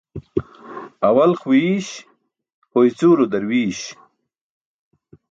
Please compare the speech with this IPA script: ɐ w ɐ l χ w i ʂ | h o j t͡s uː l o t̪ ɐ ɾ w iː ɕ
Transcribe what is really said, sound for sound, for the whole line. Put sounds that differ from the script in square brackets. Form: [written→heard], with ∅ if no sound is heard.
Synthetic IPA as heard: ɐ w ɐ l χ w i [ʂ→ɕ] | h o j t͡s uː [l→ɾ] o [t̪→d̪] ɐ ɾ w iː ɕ